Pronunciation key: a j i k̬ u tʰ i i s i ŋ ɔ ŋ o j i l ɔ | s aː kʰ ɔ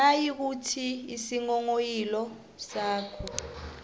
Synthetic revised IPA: a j i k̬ u tʰ i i s i ŋ ɔ ŋ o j i l ɔ | s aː kʰ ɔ